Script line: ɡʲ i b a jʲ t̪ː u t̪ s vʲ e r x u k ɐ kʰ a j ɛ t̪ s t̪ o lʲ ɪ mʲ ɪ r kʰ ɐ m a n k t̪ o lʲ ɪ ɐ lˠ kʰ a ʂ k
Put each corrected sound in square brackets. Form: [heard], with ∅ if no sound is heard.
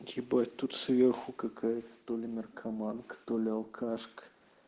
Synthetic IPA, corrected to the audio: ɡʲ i b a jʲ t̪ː u t̪ s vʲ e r x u k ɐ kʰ a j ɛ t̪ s t̪ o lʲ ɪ mʲ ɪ r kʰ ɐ m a n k t̪ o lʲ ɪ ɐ lˠ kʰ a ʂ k